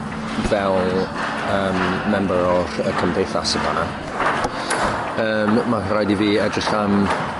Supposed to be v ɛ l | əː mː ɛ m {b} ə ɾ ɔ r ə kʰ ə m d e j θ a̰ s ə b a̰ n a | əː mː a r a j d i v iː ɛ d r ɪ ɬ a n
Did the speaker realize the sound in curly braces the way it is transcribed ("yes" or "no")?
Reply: yes